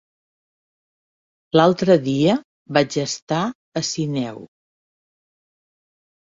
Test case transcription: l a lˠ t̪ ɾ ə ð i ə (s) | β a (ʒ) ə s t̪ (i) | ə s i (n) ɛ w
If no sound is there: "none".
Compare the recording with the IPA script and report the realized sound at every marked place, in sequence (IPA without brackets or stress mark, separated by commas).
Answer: none, d͡ʒ, a, n